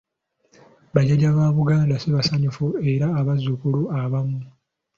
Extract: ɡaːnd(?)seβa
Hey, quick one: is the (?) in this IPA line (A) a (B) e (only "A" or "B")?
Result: A